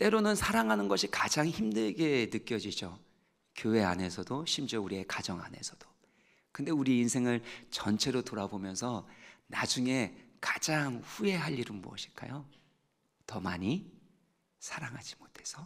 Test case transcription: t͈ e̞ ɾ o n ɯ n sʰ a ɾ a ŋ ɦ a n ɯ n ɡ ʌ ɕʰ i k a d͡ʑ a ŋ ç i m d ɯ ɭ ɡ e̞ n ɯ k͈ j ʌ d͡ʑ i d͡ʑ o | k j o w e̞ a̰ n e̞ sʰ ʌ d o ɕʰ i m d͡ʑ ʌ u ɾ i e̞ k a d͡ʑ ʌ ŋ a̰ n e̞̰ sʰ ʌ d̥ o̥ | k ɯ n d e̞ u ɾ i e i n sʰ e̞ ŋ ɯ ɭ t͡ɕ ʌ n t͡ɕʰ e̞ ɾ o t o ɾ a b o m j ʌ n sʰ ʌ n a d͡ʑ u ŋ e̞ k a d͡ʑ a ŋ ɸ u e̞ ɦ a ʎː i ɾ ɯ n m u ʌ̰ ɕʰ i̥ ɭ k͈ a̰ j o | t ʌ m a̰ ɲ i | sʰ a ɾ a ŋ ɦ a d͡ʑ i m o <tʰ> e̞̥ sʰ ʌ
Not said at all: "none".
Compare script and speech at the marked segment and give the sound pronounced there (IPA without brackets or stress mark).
tʰ